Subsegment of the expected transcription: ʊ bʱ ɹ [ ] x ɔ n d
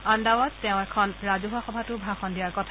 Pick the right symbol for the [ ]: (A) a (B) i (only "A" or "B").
A